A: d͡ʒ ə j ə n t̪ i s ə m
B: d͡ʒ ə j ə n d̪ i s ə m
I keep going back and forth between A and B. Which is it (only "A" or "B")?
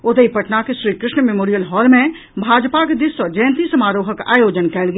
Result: A